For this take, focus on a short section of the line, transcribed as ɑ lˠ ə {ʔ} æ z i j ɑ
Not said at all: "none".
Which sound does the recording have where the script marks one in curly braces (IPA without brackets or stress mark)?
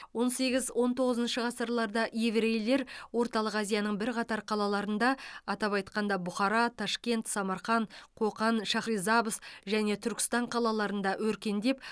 q